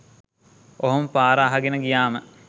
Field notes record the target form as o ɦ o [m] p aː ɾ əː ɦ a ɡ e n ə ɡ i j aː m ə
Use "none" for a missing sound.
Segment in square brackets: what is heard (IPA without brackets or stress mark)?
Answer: m